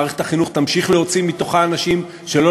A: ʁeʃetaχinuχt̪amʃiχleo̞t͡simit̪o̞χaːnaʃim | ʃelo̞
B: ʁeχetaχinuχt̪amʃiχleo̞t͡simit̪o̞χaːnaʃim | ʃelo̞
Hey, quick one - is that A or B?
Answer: B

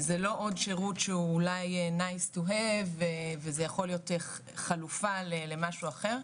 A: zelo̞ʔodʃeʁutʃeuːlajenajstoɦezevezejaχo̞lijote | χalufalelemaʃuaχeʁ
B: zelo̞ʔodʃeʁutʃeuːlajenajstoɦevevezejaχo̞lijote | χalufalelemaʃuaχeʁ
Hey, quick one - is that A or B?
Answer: B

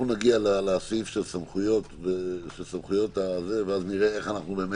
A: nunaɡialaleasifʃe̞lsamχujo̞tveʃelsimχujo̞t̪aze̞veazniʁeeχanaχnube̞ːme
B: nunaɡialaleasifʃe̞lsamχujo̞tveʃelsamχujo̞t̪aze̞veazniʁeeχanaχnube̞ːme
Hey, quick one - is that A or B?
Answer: B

